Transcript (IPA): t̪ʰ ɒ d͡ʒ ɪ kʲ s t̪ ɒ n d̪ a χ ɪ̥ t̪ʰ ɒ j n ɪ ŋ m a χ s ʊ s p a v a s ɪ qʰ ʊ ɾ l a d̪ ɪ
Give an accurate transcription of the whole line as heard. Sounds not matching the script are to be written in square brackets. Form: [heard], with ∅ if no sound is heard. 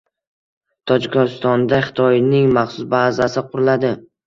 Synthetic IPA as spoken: t̪ʰ ɒ d͡ʒ ɪ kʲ s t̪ ɒ n d̪ a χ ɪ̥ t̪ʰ ɒ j n ɪ ŋ m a χ s ʊ s [b] a [z] a s ɪ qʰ ʊ ɾ l a d̪ ɪ